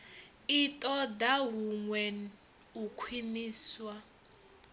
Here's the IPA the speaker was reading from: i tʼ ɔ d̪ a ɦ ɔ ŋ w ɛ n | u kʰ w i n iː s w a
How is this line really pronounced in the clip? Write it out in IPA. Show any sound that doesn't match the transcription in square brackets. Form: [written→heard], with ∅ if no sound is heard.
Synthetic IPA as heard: i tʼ ɔ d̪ a ɦ [ɔ→u] ŋ w ɛ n | u kʰ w i n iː s w a